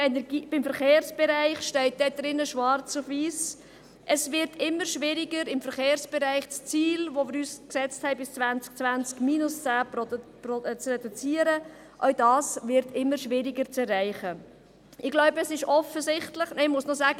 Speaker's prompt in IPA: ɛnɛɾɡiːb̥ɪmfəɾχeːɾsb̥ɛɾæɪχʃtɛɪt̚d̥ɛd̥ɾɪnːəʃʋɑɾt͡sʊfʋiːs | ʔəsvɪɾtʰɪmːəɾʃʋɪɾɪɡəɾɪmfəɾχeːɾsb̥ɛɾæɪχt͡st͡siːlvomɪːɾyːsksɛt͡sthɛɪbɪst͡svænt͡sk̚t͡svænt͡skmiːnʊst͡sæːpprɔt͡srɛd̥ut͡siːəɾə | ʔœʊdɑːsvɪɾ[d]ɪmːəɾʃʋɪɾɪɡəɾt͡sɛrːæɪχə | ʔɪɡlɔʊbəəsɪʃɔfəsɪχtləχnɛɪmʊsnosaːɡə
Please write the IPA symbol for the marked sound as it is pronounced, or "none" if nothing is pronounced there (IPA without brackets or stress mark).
t